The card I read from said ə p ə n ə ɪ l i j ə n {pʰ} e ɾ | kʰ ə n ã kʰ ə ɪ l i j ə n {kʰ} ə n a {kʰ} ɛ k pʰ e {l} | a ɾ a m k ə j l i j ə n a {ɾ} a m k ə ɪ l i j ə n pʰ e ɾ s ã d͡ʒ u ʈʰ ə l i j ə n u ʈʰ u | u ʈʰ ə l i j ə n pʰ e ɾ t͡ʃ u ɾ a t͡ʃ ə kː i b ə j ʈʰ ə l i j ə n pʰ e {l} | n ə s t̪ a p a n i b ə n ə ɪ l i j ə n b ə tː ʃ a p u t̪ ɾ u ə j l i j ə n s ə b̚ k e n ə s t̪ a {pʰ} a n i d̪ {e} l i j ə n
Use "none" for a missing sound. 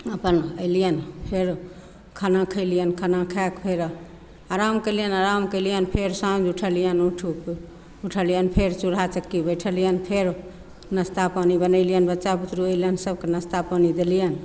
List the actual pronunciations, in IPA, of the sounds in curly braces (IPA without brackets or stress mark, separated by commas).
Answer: pʰ, kʰ, kʰ, ɾ, ɾ, ɾ, p, e